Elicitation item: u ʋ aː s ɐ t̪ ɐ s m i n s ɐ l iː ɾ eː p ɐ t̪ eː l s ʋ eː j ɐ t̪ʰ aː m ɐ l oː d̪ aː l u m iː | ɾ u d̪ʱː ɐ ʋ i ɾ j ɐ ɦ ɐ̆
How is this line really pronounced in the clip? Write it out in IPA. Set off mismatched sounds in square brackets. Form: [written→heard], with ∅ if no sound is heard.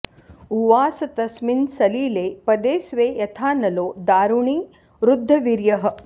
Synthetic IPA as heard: u ʋ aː s ɐ t̪ ɐ s m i n s ɐ l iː [ɾ→l] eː p ɐ [t̪→d̪] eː [l→∅] s ʋ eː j ɐ t̪ʰ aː [m→n] ɐ l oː d̪ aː [l→ɾ] u [m→ɳ] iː | ɾ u d̪ʱː ɐ ʋ i ɾ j ɐ ɦ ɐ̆